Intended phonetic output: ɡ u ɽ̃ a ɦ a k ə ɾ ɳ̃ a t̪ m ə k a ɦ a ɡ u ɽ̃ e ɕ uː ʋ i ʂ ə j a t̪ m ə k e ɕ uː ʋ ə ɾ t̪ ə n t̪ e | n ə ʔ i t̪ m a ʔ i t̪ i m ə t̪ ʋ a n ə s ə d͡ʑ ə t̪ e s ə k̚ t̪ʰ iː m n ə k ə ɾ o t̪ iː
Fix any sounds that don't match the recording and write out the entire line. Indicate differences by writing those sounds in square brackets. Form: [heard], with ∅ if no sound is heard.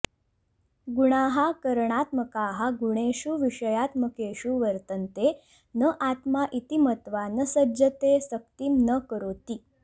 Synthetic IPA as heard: ɡ u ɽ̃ a ɦ a k ə ɾ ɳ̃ a t̪ m ə k a ɦ a ɡ u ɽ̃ e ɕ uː ʋ i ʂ ə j a t̪ m ə k e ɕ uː ʋ ə ɾ t̪ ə n t̪ e | n ə ʔ [a] t̪ m a ʔ i t̪ i m ə t̪ ʋ a n ə s ə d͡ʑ ə t̪ e s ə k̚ [t̪] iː m n ə k ə ɾ o t̪ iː